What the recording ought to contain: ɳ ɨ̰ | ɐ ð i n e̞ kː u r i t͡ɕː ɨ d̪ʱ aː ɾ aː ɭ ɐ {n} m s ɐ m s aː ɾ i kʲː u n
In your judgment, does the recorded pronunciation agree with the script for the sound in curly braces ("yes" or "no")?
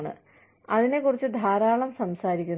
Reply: no